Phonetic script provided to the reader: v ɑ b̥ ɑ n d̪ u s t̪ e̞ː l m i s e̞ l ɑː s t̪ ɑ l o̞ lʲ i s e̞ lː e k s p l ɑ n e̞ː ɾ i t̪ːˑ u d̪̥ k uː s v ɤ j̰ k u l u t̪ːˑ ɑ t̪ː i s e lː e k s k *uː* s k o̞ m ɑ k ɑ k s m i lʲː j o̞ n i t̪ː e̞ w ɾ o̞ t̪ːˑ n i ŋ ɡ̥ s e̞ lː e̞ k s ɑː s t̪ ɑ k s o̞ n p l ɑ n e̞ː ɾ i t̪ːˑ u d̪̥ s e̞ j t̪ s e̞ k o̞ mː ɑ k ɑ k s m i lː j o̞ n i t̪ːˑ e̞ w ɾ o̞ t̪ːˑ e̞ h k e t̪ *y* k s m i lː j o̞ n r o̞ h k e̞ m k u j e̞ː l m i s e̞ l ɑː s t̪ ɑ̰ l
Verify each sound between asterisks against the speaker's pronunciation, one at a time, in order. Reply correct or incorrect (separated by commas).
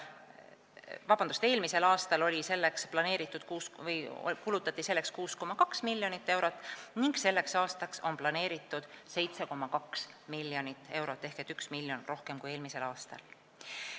correct, correct